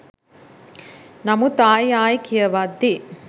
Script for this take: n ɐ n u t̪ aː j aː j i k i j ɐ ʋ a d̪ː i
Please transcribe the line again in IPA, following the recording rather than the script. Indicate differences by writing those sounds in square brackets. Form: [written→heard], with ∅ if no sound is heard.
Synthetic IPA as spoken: n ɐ [n→m] u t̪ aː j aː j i k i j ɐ ʋ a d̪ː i